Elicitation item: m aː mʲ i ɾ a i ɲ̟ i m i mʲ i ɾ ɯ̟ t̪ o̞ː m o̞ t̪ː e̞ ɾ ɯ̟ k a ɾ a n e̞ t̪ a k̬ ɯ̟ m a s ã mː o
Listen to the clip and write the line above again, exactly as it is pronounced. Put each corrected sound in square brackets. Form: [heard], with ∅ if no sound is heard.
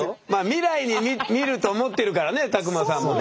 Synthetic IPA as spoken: m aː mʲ i ɾ a i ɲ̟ i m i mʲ i ɾ ɯ̟ t̪ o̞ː m o̞ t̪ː e̞ ɾ ɯ̟ k a ɾ a n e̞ t̪ a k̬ ɯ̟ m a s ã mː o